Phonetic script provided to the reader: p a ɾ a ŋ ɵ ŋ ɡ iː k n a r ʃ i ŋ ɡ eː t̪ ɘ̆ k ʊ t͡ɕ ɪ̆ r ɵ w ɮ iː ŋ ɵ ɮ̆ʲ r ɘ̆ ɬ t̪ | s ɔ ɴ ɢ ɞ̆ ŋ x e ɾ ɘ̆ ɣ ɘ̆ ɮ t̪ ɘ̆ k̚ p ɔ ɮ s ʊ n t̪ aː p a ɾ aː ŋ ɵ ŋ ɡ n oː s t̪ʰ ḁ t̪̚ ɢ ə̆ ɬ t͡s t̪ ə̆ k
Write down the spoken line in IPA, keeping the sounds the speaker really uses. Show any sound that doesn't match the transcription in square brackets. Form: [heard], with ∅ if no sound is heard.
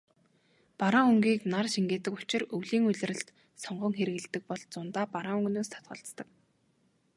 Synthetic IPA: p a ɾ a ŋ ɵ ŋ ɡ iː k n a r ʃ i ŋ ɡ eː t̪ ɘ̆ k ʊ t͡ɕ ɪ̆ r ɵ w ɮ iː ŋ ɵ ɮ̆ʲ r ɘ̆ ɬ t̪ | s ɔ ɴ ɢ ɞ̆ ŋ x e ɾ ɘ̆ ɣ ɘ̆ ɮ t̪ ɘ̆ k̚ p ɔ ɮ [t͡s] ʊ n t̪ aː p a ɾ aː ŋ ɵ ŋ ɡ n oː s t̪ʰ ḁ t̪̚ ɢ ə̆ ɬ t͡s t̪ ə̆ k